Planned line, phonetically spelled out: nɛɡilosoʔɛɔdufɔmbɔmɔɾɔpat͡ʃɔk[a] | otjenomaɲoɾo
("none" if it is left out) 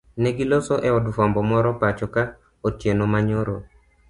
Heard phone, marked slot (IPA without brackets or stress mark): a